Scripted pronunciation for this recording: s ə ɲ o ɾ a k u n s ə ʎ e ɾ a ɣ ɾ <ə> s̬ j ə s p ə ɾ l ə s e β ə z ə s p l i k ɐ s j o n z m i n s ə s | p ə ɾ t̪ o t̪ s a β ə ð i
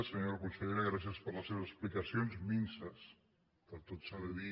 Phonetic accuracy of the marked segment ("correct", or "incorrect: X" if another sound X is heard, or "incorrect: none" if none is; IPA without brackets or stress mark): incorrect: a